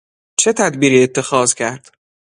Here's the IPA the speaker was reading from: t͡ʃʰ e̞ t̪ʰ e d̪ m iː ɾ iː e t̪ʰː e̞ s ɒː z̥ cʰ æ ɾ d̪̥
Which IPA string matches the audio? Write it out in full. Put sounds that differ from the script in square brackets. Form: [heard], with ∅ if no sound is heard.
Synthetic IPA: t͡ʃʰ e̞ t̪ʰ [æ] d̪ [b] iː ɾ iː e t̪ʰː e̞ [x] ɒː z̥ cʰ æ ɾ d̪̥